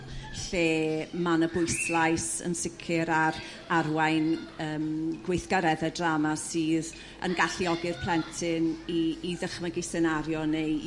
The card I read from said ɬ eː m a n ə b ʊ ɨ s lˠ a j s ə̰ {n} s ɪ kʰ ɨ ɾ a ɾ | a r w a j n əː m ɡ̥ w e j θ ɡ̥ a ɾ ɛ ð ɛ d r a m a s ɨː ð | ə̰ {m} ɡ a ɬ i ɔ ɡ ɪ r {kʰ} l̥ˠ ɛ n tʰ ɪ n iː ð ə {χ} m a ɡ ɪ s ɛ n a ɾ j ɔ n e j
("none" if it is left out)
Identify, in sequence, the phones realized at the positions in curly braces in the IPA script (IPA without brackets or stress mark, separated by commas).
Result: n, n, pʰ, χ